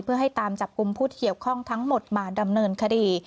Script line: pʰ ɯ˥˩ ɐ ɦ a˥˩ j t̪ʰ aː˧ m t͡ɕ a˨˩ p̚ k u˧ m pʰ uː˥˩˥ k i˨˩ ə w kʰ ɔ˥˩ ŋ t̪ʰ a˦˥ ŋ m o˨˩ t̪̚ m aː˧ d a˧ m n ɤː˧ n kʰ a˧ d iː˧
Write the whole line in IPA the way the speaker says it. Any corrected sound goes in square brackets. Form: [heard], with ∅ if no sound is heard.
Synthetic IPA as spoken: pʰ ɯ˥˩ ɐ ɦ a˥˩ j [t̪] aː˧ m t͡ɕ a˨˩ p̚ k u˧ m pʰ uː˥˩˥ k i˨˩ ə w kʰ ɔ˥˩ ŋ t̪ʰ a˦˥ ŋ m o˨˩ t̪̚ m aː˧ d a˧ m n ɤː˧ n kʰ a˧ d iː˧